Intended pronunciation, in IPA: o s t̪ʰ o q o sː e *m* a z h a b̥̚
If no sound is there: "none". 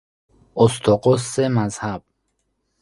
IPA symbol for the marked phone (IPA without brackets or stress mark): m